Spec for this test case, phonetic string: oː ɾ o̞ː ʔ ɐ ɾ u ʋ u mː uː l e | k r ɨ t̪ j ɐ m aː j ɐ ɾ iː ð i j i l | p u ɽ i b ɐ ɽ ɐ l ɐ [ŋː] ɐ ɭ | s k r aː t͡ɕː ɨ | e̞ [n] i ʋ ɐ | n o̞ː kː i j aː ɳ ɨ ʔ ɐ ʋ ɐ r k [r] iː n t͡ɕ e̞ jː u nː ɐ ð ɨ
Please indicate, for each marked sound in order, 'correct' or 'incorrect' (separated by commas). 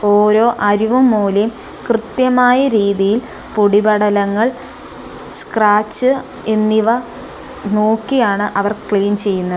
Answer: correct, incorrect, incorrect